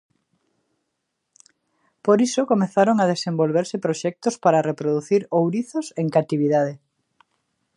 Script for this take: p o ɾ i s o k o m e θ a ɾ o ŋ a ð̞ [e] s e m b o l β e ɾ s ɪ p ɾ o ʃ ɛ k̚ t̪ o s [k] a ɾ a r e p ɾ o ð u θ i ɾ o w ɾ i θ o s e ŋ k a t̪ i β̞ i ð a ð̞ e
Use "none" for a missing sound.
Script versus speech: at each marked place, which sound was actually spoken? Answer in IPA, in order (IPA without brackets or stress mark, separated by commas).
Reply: e, p